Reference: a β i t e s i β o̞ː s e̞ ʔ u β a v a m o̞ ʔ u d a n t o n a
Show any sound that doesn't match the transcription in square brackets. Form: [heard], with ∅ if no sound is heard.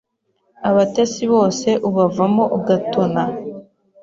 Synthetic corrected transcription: a β [a] t e s i β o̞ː s e̞ ʔ u β a v a m o̞ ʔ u [ɡ] a [∅] t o n a